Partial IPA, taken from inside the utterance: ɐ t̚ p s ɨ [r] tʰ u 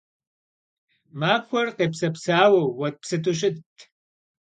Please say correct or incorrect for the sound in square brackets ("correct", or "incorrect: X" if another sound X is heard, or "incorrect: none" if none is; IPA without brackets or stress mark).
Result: incorrect: none